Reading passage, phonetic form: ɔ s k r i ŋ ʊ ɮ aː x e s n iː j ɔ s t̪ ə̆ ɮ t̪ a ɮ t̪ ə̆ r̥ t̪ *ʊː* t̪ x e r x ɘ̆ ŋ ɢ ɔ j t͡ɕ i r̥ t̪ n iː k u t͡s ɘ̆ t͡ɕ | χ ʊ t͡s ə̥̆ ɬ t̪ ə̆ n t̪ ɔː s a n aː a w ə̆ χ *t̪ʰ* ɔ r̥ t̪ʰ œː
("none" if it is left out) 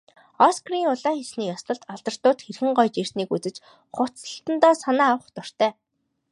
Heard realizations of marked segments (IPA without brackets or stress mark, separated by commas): ʊː, t̪